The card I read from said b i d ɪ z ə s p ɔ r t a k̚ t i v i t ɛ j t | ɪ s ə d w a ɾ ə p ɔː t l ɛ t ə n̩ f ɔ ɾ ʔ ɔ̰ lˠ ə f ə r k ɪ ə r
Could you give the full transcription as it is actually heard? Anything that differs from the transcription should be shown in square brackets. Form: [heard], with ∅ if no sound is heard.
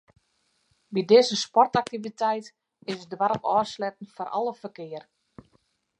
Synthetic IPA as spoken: b i d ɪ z ə s p ɔ r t a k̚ t i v i t ɛ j t | ɪ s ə d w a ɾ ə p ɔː [s] l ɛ t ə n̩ f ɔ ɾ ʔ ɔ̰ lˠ ə f ə r k ɪ ə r